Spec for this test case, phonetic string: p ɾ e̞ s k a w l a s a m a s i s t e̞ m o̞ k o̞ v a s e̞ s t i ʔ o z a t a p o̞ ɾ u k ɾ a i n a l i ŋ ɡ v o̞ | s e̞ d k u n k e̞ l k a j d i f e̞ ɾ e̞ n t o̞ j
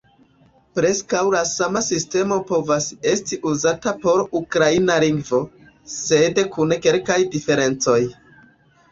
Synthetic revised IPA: p ɾ e̞ s k a w l a s a m a s i s t e̞ m o̞ p o̞ v a s e̞ s t i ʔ u z a t a p o̞ ɾ u k ɾ a i n a l i ŋ ɡ v o̞ | s e̞ d k u n k e̞ l k a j d i f e̞ ɾ e̞ n t͡s o̞ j